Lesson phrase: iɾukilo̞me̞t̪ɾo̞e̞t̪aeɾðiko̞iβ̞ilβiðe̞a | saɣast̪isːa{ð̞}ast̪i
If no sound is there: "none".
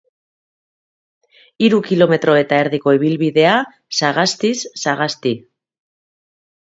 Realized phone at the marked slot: ɣ̞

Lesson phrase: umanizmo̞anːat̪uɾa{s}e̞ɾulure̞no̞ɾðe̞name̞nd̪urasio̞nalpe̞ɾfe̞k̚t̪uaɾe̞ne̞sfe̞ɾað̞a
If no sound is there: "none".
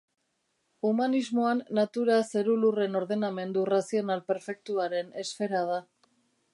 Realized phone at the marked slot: s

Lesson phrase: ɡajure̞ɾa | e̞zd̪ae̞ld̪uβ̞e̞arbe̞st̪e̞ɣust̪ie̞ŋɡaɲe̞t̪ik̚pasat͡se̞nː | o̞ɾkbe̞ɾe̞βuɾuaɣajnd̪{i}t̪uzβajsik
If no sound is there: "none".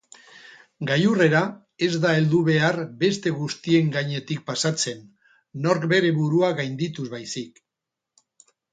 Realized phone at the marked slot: i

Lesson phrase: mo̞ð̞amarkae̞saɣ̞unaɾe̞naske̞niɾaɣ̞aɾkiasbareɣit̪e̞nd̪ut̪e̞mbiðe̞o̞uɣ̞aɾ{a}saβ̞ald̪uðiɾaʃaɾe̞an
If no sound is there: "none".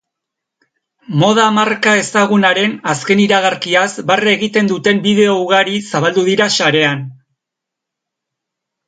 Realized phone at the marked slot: i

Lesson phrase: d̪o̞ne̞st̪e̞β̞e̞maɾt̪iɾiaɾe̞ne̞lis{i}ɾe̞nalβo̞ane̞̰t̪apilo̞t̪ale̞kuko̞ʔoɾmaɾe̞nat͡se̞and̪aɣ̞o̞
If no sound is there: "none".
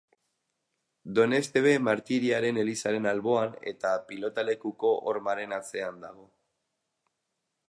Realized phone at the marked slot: a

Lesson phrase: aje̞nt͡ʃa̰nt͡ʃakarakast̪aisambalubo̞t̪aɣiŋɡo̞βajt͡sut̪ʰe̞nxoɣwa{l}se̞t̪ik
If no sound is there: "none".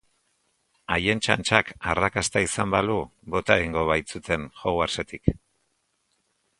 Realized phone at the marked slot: ɾ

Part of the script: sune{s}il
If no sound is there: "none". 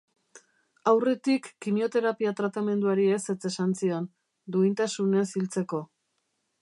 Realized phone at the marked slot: s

